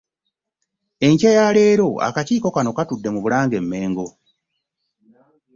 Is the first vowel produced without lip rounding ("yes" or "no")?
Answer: yes